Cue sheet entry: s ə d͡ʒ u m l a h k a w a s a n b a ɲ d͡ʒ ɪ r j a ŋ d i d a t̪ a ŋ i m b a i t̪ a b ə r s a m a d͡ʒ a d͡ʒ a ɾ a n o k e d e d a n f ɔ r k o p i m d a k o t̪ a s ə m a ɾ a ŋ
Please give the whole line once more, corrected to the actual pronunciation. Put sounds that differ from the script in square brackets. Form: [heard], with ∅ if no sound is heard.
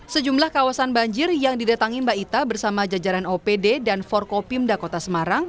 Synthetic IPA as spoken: s ə d͡ʒ u m l a h k a w a s a n b a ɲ d͡ʒ ɪ r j a ŋ d i d a t̪ a ŋ i m b a i t̪ a b ə r s a m a d͡ʒ a d͡ʒ a ɾ a n o [p] e d e d a n f ɔ r k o p i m d a k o t̪ a s ə m a ɾ a ŋ